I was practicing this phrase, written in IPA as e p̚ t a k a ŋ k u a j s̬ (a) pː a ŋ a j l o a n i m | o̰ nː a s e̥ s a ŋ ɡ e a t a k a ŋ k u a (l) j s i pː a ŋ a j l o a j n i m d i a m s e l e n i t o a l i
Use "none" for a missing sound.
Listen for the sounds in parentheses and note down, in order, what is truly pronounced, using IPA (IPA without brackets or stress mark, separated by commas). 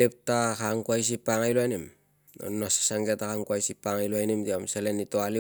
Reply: i, none